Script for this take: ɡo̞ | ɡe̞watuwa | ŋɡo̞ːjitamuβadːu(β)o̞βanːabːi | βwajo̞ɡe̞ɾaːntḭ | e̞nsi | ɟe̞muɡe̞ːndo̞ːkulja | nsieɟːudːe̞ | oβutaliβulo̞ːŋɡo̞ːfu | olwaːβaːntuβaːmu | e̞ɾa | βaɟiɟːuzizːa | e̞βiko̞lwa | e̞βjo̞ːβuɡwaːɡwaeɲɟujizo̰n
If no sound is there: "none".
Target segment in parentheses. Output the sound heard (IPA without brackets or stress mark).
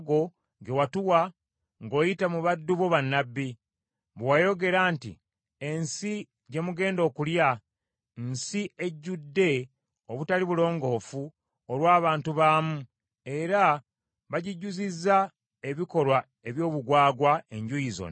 β